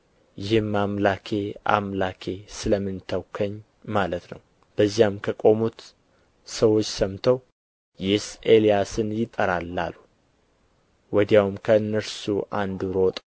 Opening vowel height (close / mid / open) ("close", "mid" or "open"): close